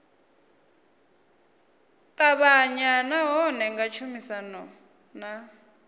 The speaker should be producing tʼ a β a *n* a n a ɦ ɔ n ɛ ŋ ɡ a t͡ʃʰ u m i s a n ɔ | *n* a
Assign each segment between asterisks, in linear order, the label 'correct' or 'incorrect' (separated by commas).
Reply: incorrect, correct